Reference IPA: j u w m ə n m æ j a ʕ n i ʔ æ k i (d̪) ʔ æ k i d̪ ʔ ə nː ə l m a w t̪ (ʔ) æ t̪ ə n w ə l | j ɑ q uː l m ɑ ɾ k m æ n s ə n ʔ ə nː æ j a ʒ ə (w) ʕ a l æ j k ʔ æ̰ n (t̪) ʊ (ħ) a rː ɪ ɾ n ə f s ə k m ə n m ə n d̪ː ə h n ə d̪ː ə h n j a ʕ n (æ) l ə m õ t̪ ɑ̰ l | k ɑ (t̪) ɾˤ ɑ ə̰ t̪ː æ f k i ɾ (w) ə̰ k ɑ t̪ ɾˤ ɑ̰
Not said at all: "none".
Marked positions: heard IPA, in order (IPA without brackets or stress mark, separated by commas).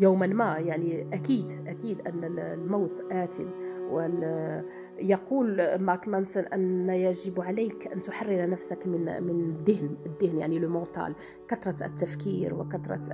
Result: d̪, ʔ, b, t̪, ħ, i, t̪, w